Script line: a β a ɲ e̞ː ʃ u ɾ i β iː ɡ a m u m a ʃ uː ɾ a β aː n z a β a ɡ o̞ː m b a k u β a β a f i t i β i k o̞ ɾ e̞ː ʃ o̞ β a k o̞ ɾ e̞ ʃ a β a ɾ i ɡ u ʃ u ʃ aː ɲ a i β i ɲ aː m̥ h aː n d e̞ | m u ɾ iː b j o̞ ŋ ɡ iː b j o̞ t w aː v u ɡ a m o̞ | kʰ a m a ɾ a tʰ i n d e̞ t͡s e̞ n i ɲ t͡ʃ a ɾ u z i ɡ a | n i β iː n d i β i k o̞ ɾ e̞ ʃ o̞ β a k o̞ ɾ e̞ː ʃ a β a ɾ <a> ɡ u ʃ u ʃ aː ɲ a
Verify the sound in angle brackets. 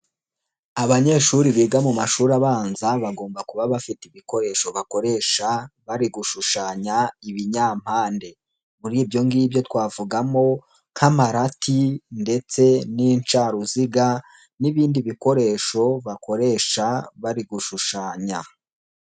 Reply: incorrect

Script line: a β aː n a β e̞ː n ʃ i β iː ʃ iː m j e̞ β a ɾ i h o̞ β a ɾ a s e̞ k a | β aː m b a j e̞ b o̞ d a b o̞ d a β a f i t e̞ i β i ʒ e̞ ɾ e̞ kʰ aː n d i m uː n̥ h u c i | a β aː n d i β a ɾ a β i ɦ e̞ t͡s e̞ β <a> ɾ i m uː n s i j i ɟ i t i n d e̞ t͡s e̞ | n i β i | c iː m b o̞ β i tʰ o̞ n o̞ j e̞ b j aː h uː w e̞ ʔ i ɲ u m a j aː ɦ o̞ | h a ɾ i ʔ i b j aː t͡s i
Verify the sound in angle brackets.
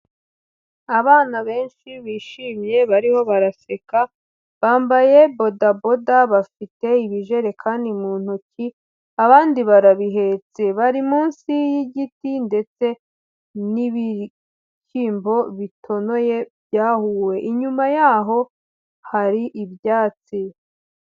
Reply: correct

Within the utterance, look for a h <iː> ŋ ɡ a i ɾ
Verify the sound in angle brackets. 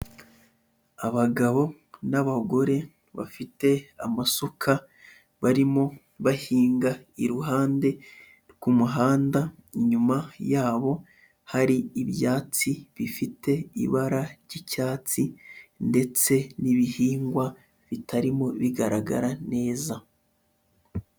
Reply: correct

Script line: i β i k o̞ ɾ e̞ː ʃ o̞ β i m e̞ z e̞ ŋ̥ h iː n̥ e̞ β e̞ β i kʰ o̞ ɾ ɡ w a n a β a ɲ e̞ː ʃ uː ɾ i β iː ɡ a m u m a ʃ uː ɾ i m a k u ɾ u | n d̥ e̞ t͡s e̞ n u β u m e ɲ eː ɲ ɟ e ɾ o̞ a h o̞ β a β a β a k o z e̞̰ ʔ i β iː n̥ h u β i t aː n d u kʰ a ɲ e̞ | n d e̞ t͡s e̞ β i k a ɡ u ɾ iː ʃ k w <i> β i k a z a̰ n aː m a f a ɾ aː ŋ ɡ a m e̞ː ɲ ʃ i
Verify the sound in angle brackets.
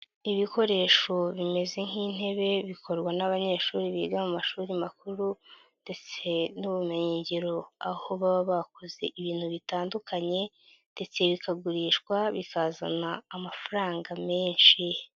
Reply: incorrect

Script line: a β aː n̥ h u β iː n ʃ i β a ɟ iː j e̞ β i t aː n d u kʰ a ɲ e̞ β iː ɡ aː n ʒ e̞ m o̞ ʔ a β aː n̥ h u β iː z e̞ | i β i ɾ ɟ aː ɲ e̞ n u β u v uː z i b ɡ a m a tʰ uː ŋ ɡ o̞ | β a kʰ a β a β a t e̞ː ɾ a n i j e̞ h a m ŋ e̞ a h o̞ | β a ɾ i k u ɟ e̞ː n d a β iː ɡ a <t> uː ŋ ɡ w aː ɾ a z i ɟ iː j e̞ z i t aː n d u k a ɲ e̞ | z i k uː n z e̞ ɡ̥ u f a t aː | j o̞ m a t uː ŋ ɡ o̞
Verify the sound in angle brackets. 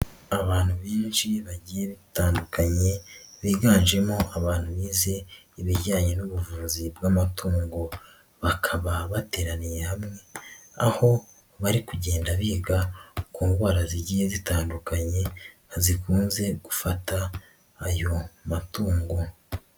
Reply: incorrect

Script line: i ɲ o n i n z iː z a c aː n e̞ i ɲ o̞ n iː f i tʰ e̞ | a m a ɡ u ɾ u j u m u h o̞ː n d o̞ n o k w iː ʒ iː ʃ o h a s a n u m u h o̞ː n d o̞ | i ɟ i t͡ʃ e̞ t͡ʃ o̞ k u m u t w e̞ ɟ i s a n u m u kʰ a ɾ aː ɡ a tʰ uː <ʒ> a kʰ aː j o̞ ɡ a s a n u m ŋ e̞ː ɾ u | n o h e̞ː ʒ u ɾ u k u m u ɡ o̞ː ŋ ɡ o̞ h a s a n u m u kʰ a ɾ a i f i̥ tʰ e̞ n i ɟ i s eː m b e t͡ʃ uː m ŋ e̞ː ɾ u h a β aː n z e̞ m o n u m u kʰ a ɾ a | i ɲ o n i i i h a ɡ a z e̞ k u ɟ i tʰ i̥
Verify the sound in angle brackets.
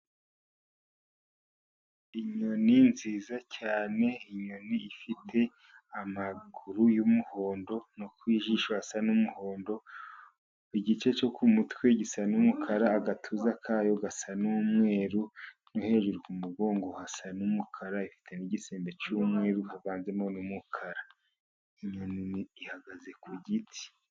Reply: incorrect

